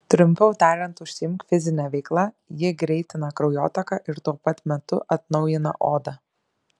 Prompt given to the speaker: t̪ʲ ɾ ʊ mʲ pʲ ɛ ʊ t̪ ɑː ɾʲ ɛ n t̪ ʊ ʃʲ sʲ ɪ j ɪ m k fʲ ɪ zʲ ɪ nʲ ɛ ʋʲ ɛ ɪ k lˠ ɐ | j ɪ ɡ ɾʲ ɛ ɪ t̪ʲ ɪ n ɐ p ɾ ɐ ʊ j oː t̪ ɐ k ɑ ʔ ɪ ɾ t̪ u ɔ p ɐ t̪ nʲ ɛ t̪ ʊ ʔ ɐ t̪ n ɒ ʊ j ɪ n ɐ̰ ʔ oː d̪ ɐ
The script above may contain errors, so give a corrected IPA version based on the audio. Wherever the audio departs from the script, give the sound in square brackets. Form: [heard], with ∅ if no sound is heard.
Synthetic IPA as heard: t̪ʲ ɾ ʊ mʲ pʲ ɛ ʊ t̪ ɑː ɾʲ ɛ n t̪ ʊ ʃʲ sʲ ɪ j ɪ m k fʲ ɪ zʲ ɪ nʲ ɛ ʋʲ ɛ ɪ k lˠ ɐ | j ɪ ɡ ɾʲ ɛ ɪ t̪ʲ ɪ n ɐ [k] ɾ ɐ ʊ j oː t̪ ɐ k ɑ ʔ ɪ ɾ t̪ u ɔ p ɐ t̪ [mʲ] ɛ t̪ ʊ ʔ ɐ t̪ n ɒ ʊ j ɪ n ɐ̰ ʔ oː d̪ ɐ